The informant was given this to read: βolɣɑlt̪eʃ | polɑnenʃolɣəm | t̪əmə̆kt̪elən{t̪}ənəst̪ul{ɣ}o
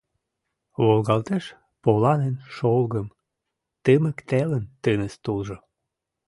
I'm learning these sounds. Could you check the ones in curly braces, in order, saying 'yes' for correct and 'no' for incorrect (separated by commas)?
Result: yes, no